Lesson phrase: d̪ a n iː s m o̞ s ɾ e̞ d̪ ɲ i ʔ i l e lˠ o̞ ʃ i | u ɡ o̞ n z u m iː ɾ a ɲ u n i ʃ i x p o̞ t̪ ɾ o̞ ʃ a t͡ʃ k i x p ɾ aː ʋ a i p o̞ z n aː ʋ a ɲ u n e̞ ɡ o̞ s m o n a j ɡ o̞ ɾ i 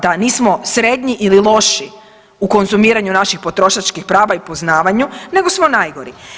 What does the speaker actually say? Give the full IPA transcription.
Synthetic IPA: d̪ a n iː s m o̞ s ɾ e̞ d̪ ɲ i ʔ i l i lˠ o̞ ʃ i | u k o̞ n z u m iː ɾ a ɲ u n a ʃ i x p o̞ t̪ ɾ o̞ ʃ a t͡ʃ k i x p ɾ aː ʋ a i p o̞ z n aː ʋ a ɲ u n e̞ ɡ o̞ s m o n a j ɡ o̞ ɾ i